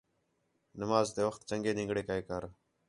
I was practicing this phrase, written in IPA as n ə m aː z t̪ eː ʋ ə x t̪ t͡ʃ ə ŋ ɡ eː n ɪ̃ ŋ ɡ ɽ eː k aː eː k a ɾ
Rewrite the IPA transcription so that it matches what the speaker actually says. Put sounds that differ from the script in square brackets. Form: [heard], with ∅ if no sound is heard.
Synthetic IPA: n ə m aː z t̪ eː ʋ ə x t̪ t͡ʃ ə ŋ ɡ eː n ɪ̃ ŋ ɡ ɽ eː k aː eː k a ɾ